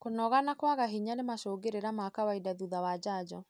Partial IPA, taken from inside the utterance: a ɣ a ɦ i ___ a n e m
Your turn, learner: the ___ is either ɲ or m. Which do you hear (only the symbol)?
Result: ɲ